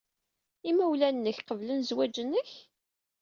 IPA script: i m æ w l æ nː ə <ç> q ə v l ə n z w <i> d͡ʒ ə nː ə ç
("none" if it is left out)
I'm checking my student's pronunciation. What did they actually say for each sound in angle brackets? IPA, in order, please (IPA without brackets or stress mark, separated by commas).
ç, æ